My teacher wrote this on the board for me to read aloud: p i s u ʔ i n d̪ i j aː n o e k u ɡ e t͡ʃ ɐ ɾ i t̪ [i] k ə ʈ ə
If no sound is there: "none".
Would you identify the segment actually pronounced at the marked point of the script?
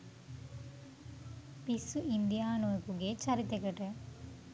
e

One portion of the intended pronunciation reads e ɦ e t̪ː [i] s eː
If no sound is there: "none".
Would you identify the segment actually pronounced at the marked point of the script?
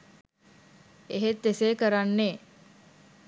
e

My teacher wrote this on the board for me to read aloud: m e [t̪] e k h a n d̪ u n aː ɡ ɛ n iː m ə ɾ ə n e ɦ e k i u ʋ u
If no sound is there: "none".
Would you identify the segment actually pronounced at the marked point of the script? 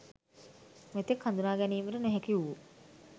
t̪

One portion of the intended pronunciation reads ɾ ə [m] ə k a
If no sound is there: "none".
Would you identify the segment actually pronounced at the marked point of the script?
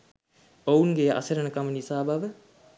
n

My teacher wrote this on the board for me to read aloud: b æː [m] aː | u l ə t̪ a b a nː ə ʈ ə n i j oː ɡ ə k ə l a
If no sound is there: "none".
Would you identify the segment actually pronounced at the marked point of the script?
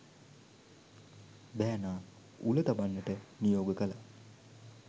n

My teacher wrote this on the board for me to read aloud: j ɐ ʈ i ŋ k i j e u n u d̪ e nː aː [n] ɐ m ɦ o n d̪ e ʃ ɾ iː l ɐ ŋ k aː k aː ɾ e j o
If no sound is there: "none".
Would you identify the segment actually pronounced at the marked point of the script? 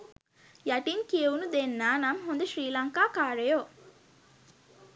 n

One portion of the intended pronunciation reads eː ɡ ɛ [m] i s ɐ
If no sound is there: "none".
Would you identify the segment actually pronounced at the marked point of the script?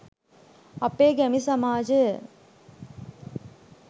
m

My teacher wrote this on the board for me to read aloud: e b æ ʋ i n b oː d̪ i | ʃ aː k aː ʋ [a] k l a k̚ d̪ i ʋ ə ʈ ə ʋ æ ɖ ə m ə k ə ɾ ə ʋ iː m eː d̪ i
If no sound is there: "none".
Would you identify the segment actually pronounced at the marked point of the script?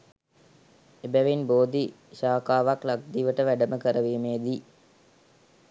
a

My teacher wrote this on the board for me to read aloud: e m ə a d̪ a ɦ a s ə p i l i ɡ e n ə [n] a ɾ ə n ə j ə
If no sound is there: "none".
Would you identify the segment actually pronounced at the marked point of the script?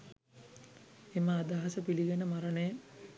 m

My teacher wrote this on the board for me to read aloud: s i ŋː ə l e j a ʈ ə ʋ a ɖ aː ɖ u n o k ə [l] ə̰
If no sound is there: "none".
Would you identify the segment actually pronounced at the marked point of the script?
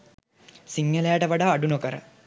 ɾ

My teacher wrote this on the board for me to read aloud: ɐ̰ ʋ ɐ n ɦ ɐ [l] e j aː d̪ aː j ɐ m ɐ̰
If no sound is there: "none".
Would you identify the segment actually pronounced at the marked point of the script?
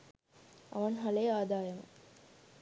l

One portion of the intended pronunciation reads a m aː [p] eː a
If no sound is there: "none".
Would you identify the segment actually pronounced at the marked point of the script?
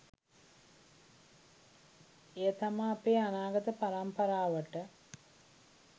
p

